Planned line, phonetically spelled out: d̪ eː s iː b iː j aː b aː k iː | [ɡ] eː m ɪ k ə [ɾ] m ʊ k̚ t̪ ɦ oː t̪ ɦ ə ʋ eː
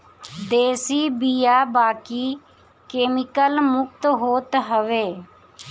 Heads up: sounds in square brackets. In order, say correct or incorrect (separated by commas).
incorrect, incorrect